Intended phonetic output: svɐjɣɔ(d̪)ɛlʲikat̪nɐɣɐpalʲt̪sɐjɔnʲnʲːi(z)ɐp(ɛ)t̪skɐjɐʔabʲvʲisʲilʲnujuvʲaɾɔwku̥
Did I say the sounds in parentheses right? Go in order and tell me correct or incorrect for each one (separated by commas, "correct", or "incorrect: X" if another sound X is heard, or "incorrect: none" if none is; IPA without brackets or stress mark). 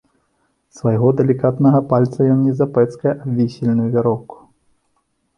correct, correct, correct